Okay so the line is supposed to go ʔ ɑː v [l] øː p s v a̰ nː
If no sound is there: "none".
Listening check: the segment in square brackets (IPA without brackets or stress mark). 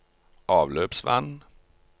l